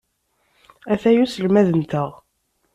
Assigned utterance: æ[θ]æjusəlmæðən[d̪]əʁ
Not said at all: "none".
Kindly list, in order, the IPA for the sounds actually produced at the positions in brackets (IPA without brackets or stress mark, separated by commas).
θ, t̪